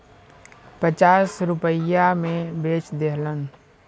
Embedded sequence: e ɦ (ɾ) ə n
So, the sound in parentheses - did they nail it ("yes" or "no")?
no